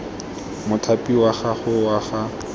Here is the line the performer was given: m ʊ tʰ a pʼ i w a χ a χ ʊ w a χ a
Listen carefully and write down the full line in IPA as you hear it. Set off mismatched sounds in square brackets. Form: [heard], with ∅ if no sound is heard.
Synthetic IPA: m ʊ tʰ a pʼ i w a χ a χ ʊ w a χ a